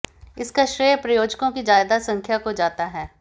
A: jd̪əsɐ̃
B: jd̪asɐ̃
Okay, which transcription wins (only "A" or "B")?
B